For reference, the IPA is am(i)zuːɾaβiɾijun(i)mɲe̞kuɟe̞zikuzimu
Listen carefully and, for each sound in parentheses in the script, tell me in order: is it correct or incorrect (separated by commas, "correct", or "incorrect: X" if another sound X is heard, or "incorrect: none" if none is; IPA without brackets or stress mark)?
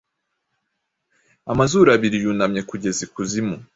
incorrect: a, incorrect: a